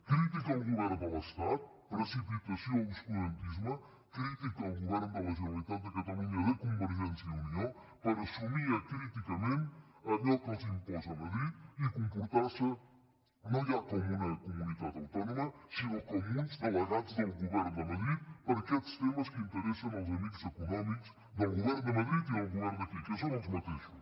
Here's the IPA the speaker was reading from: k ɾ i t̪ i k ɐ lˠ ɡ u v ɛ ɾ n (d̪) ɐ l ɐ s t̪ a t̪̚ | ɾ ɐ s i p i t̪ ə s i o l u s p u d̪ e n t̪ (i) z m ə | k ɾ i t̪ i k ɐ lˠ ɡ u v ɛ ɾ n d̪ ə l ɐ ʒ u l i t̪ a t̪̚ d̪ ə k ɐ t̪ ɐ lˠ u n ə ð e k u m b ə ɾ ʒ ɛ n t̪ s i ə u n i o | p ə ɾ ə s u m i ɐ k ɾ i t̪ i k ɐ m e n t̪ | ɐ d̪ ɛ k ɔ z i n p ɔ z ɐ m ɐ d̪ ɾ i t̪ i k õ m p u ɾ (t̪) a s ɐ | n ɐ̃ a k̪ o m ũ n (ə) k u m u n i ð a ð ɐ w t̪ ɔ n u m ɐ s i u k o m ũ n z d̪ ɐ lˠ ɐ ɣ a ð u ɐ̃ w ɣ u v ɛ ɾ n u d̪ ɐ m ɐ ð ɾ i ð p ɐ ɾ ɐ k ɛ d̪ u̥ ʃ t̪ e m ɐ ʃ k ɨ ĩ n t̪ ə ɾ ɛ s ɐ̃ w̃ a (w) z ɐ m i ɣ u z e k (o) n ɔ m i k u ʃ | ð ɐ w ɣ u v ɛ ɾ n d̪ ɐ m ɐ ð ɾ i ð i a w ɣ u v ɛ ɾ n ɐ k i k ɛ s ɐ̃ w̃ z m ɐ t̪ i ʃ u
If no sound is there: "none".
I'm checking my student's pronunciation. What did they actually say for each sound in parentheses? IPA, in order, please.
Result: d̪, i, t̪, ɐ, w, u

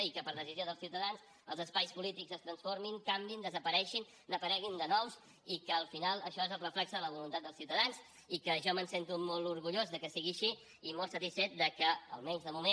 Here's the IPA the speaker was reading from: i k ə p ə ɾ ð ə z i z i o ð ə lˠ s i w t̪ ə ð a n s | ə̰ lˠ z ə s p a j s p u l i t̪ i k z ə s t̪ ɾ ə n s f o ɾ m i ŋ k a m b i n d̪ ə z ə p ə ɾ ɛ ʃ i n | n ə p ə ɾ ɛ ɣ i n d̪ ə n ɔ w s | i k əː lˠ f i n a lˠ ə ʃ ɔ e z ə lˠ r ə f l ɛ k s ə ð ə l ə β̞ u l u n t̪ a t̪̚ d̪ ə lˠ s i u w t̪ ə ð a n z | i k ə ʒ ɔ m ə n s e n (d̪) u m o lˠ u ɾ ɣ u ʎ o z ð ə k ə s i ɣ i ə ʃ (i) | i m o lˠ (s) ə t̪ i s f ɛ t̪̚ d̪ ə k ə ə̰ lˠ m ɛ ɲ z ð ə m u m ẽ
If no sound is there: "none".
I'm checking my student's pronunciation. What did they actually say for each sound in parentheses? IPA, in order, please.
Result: t̪, i, s

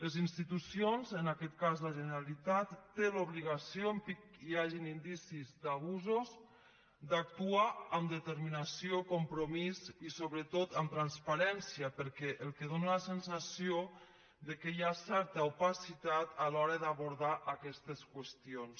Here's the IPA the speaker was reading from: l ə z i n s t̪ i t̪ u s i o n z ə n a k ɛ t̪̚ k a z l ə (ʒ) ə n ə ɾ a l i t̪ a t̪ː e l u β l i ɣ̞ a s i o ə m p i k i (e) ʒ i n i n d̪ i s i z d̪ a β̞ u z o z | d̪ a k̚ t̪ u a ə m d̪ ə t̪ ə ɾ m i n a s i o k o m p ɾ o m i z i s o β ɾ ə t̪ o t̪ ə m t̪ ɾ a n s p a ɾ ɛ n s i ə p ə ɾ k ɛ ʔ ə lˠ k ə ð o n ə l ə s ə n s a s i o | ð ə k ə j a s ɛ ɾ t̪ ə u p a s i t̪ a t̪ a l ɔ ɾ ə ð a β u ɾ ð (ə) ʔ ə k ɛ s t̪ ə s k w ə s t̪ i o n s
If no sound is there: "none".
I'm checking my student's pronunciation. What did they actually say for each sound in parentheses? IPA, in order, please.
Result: ʒ, a, a

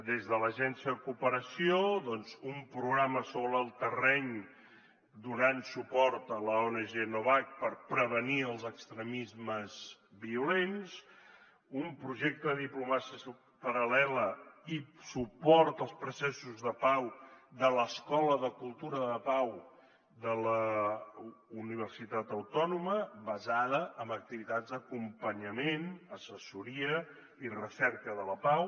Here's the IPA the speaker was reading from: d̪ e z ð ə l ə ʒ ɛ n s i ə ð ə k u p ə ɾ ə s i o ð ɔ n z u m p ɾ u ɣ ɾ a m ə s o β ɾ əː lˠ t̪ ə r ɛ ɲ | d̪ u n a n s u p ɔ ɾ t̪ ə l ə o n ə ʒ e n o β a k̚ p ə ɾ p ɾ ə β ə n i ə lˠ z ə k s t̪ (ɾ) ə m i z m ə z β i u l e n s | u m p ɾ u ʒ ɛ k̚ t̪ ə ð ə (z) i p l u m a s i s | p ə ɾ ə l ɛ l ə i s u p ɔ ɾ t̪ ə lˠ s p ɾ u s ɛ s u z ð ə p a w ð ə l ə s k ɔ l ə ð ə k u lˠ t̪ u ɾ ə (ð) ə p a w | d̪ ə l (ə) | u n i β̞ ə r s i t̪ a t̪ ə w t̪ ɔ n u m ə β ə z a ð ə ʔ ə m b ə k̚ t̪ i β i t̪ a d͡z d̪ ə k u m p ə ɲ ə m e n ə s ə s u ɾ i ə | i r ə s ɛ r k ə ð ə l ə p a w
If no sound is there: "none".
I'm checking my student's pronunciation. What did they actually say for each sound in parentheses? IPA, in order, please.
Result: ɾ, ð, ð, ə

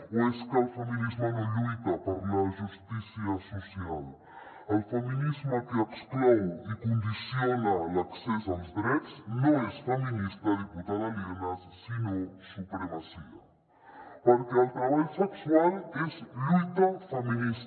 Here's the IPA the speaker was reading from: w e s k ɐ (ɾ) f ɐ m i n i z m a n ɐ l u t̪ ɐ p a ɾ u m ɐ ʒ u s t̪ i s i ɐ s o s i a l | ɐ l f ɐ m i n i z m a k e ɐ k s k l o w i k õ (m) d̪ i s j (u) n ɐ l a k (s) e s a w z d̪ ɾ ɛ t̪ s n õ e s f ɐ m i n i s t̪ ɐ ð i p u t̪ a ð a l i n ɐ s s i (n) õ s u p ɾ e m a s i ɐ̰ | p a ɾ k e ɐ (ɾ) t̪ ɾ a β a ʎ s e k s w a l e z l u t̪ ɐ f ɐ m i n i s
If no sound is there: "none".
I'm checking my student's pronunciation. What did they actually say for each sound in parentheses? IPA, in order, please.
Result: l, n, o, s, n, l

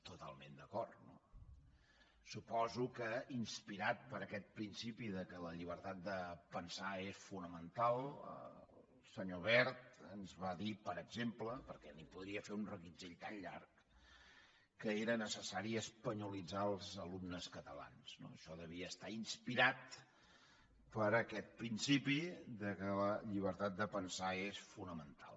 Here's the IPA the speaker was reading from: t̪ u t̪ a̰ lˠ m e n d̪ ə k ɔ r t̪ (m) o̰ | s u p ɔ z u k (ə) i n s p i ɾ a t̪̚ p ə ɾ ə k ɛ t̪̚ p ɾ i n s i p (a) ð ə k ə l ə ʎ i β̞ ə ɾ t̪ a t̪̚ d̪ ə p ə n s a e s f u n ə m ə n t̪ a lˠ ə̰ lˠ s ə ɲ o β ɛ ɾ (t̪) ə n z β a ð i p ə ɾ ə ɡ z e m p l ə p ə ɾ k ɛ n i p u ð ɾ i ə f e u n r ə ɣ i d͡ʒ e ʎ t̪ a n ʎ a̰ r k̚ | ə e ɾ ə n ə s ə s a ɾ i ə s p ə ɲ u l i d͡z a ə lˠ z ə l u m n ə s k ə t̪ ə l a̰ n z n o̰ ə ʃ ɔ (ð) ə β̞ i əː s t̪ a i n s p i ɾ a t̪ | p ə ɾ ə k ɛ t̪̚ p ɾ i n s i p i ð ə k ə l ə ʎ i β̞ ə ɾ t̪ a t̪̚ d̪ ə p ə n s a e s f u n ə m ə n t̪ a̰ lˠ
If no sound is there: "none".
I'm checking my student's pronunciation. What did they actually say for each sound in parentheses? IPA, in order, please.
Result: n, ə, i, t̪, ð

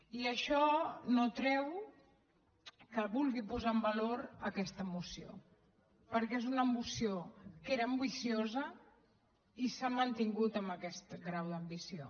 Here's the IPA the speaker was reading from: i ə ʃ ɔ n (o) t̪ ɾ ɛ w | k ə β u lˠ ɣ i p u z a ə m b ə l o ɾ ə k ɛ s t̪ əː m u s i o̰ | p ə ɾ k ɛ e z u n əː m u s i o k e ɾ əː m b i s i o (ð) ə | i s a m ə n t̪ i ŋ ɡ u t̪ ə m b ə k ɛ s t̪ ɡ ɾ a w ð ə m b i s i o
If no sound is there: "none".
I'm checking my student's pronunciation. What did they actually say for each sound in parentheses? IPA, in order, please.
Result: o, z

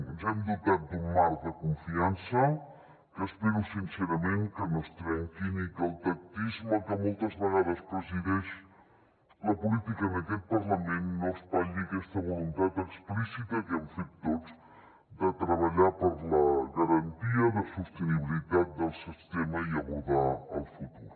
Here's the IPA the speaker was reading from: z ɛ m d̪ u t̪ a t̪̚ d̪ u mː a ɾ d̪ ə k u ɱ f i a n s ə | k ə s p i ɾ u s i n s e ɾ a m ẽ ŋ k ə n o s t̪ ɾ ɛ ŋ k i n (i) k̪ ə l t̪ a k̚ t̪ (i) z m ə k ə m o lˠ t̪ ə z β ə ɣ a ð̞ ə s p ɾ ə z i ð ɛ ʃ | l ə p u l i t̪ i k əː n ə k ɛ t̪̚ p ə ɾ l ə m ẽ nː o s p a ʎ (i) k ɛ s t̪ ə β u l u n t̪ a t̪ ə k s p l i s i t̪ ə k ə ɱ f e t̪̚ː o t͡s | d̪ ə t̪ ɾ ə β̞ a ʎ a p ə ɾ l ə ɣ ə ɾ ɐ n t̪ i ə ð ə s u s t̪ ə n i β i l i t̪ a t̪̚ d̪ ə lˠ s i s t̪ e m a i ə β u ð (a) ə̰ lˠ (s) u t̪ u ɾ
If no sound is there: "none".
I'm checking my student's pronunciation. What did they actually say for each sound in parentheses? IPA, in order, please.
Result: i, i, i, a, f

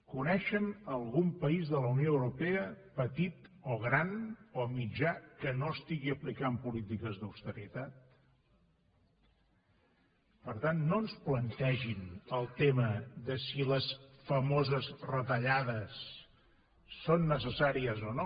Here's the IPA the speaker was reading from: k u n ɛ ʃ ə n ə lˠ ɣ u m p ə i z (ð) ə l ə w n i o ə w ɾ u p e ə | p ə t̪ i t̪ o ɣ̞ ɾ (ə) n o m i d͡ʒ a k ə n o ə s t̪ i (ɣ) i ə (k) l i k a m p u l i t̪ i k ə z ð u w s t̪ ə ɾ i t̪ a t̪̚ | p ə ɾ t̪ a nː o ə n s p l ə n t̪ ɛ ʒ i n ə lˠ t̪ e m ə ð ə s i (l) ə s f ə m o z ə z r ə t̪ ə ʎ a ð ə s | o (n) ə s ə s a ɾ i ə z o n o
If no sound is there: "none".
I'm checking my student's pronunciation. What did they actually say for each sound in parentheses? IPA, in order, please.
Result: ð, a, ɣ, p, l, nː

